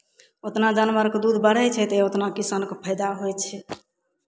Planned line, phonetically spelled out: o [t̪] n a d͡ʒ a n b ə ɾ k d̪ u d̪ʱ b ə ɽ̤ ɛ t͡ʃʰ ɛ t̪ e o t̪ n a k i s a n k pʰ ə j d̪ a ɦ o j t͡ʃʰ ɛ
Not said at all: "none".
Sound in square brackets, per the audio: t̪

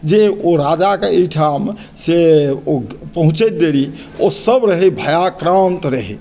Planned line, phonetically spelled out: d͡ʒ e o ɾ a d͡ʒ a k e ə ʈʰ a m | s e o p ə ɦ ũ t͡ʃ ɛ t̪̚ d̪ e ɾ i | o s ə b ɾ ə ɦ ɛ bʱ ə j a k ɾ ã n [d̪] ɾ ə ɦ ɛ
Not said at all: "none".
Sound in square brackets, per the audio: t̪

